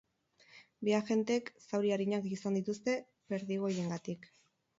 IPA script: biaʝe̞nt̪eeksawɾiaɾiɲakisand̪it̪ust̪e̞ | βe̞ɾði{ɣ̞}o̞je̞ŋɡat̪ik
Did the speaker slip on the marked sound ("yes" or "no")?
no